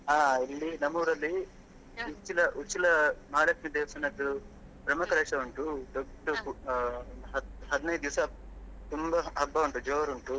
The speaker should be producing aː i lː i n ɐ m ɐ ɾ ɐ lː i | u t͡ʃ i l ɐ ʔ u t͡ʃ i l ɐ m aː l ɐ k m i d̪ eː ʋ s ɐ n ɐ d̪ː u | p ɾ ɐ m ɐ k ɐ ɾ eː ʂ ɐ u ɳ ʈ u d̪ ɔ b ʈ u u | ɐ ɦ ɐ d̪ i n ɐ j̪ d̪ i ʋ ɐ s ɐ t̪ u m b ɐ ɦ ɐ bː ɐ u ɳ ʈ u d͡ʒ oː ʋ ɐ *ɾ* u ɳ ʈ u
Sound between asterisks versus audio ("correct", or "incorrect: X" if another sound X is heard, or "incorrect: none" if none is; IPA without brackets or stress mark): correct